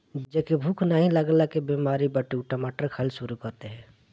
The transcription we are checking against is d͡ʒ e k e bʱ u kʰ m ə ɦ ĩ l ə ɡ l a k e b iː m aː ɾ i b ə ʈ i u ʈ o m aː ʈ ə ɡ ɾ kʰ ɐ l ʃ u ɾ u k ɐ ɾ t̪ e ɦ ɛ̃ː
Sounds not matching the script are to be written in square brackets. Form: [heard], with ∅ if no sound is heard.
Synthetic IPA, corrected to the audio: d͡ʒ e k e bʱ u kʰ [n] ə ɦ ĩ l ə ɡ l a k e b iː m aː ɾ i b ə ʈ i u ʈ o m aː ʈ ə [∅] ɾ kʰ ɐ l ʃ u ɾ u k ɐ ɾ t̪ e ɦ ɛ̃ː